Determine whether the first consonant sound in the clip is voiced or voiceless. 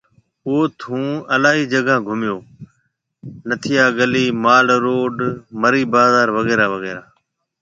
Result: voiceless